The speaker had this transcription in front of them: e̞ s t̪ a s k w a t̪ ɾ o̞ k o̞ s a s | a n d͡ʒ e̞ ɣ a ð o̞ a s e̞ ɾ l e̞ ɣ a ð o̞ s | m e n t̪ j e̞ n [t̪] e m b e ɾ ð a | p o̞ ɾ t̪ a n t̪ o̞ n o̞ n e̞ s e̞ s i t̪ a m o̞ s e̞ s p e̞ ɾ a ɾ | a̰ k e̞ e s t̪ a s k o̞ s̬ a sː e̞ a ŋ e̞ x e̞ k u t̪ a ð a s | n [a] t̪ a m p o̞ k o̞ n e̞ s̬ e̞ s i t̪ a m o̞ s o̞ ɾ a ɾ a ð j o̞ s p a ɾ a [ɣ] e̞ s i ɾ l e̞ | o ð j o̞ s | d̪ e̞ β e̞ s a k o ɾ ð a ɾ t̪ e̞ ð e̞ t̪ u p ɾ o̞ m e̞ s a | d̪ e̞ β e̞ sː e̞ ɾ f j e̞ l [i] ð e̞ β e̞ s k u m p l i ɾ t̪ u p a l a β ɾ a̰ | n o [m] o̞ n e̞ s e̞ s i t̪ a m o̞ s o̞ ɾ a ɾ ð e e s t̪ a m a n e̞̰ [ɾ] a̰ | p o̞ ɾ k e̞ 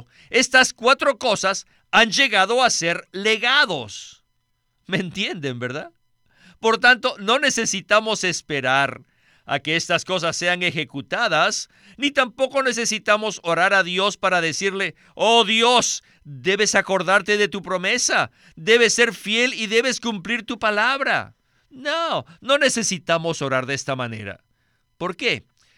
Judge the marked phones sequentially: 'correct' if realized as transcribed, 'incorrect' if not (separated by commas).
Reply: incorrect, incorrect, incorrect, correct, incorrect, correct